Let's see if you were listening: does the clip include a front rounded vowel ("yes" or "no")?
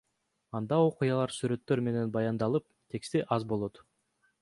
yes